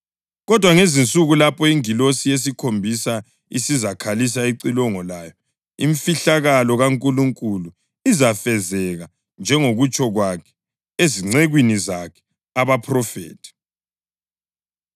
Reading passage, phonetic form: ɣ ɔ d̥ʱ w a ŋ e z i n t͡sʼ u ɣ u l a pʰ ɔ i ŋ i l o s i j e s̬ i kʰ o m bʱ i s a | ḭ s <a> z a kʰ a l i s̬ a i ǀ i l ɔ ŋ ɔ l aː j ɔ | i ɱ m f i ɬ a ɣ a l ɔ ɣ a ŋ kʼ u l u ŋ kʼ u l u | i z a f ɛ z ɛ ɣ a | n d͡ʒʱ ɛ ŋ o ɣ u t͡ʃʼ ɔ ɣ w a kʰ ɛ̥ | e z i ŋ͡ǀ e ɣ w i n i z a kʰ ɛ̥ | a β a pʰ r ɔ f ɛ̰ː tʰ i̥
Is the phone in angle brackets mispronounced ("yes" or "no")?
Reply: yes